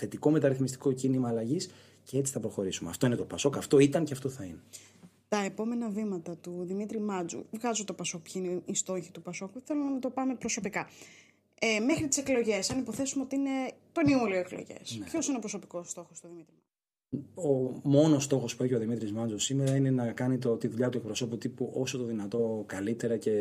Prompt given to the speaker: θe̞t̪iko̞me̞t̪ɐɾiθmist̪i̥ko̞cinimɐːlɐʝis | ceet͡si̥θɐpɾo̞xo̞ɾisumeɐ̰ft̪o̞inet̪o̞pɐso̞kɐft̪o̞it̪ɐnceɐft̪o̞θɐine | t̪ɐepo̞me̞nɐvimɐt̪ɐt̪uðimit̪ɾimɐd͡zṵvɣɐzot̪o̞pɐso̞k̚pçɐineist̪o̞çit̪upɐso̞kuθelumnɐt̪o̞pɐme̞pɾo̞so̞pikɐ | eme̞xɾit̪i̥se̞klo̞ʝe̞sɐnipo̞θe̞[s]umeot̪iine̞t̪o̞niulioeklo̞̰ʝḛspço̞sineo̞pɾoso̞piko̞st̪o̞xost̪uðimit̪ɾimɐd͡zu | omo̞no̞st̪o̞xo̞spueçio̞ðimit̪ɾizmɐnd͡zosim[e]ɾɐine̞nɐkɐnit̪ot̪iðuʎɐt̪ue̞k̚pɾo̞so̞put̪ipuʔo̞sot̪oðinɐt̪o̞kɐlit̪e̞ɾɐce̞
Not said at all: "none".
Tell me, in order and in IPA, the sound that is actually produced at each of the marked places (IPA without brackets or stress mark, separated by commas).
s, e